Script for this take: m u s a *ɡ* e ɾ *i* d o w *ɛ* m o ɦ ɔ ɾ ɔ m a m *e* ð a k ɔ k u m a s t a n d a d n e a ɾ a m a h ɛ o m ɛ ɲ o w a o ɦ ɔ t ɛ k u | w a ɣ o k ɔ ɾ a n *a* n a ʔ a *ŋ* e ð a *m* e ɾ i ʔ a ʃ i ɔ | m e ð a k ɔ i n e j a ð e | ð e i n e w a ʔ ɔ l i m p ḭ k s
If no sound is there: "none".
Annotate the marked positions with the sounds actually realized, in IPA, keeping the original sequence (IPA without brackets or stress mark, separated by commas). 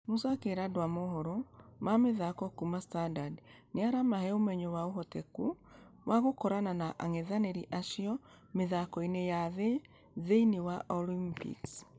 k, a, a, e, a, ŋ, n